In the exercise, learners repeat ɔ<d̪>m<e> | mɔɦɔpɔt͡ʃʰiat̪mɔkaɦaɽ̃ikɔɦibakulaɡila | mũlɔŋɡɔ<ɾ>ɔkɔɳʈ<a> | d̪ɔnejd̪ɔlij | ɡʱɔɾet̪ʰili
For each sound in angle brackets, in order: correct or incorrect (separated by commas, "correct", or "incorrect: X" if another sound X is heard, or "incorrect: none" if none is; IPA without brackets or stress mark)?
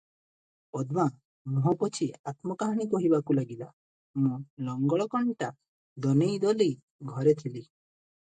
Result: correct, incorrect: a, incorrect: ɭ, correct